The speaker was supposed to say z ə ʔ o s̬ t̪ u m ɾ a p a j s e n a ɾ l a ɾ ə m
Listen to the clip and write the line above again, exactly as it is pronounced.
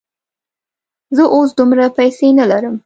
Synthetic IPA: z ə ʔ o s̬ d̪ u m ɾ a p a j s e n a l a ɾ ə m